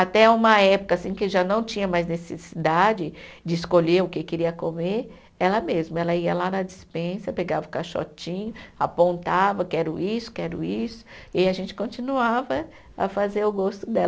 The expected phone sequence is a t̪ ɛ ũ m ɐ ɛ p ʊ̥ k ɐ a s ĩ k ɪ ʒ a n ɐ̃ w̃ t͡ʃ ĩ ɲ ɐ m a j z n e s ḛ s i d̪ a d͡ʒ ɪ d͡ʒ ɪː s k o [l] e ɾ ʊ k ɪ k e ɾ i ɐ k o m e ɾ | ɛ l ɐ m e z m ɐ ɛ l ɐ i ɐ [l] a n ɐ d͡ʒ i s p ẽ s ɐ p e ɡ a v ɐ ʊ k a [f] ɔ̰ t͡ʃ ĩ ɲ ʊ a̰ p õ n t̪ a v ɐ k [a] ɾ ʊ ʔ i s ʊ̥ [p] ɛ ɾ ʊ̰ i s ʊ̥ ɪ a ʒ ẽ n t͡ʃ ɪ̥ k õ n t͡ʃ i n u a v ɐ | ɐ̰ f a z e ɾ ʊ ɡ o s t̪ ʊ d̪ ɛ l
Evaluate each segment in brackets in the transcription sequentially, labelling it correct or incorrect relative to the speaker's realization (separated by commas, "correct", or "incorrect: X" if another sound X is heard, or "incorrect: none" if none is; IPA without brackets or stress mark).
incorrect: ʎ, correct, incorrect: ʃ, incorrect: ɛ, incorrect: k